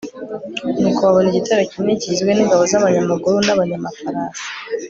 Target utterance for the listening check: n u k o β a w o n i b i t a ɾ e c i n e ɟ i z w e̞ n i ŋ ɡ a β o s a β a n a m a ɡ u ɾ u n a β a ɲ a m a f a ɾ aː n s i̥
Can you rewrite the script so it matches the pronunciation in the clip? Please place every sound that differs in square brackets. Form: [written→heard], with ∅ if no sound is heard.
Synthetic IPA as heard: n u k o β a [w→β] o n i [b→ɟ] i t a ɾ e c i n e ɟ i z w e̞ n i ŋ ɡ a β o [s→z] a β a [n→ɲ] a m a ɡ u ɾ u n a β a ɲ a m a f a ɾ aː n s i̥